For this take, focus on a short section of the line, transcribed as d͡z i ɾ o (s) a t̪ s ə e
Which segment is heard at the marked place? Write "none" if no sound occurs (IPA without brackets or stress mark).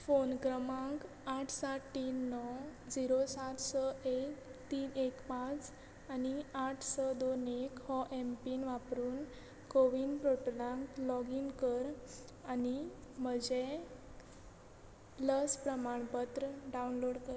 s